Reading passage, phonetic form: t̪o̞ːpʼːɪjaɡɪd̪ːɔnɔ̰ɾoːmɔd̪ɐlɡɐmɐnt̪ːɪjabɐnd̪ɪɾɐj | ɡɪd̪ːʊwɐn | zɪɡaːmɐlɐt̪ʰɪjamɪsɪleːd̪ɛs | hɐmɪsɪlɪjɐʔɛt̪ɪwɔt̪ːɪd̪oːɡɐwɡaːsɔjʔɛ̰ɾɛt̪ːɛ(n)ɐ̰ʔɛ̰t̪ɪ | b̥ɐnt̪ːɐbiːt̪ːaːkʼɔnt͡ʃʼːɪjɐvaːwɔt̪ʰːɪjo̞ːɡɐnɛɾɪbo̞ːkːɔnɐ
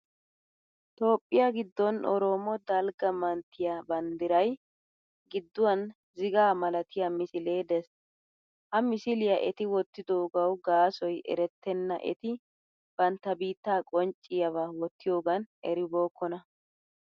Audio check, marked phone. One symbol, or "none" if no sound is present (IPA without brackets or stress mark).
nː